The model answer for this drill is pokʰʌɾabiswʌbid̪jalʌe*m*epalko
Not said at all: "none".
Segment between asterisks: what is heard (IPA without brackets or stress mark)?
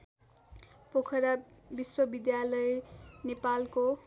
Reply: n